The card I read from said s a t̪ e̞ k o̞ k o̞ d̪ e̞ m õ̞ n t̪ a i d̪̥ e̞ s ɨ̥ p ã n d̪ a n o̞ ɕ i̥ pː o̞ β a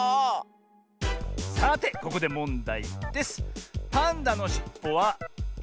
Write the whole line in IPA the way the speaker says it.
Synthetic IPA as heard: s a t̪ e̞ k o̞ k o̞ d̪ e̞ m õ̞ n d̪ a i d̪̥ e̞ s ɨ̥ p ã n d̪ a n o̞ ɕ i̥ pː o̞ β a